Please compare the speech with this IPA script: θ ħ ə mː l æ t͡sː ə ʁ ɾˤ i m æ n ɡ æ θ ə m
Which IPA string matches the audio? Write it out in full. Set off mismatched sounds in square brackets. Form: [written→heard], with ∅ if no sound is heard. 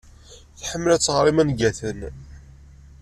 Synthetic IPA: θ ħ ə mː l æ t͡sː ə ʁ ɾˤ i m æ n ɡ æ θ ə [m→n]